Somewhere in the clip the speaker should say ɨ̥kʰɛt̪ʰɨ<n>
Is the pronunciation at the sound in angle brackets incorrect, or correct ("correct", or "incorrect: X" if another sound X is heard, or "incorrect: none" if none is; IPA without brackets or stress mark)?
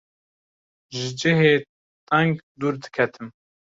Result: incorrect: m